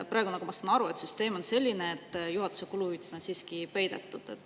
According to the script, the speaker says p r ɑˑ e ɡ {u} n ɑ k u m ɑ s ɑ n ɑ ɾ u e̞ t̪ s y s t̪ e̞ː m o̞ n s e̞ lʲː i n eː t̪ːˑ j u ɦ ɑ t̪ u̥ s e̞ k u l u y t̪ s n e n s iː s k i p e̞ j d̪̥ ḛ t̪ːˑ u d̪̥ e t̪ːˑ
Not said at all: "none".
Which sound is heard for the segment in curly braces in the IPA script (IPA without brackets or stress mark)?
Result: u